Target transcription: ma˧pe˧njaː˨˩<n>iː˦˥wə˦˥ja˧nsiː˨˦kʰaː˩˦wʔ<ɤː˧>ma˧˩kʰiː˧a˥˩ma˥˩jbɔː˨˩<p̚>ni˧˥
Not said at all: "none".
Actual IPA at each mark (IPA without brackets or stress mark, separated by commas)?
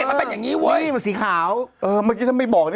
ŋ, ɤː˧, k̚